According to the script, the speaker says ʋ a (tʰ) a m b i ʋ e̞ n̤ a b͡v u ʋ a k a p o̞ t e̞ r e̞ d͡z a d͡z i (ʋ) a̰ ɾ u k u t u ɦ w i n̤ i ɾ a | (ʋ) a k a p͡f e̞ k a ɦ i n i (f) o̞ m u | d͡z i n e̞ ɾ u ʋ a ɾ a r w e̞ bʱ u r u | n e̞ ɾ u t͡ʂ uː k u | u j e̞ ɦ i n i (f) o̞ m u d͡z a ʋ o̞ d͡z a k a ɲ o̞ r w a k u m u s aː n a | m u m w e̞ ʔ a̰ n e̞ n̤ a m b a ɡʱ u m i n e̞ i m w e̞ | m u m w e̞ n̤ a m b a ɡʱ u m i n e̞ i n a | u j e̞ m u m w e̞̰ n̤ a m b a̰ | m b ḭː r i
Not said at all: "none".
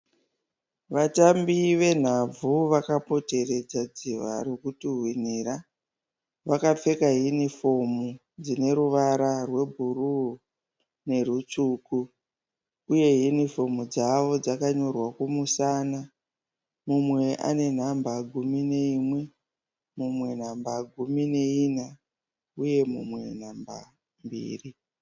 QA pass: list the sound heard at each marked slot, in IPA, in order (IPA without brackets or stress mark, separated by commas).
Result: t, ʋ, ʋ, f, f